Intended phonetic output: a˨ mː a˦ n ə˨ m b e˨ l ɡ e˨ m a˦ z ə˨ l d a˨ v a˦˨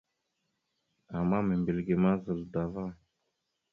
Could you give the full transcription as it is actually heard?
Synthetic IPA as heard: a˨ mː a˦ m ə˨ m b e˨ l ɡ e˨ m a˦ z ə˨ l d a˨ v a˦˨